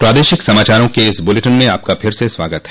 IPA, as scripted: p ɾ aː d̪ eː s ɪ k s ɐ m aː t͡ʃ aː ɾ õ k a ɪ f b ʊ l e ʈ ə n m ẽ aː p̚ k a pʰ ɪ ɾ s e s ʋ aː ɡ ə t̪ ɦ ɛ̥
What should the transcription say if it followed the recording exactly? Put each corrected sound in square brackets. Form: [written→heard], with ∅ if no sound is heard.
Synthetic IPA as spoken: p ɾ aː d̪ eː [s→ʃ] ɪ k s ɐ m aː t͡ʃ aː ɾ õ k [a→e] ɪ [f→s] b ʊ l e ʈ ə n m ẽ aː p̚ k a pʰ ɪ ɾ s e s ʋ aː ɡ ə t̪ ɦ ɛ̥